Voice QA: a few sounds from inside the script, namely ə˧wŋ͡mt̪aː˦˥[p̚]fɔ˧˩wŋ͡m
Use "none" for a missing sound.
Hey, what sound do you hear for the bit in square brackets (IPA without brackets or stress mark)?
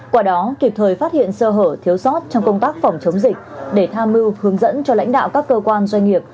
k̚